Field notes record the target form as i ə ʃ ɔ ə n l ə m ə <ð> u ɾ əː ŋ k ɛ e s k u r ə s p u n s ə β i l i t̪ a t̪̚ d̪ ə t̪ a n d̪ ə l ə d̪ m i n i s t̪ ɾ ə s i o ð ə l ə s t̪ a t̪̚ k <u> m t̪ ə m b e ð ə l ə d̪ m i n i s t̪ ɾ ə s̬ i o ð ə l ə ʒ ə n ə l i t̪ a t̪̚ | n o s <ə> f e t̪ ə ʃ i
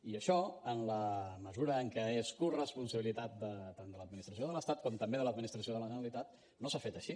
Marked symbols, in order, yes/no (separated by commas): no, no, no